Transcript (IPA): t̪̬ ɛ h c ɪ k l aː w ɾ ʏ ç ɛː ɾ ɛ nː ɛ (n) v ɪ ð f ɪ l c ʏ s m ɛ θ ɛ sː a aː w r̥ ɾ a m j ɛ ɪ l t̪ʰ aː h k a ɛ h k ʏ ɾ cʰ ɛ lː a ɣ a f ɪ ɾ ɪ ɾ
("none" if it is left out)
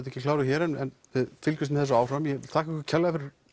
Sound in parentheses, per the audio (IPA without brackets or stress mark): n